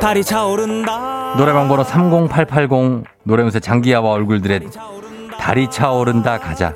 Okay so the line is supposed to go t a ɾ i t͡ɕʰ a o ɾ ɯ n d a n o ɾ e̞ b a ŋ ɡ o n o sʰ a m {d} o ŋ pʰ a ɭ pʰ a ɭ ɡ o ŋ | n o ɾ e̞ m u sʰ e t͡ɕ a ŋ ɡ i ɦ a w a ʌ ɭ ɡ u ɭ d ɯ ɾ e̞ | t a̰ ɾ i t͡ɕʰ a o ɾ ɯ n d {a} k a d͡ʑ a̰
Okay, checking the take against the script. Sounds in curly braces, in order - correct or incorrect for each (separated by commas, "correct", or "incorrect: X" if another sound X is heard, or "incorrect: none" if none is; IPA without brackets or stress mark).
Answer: incorrect: ɡ, correct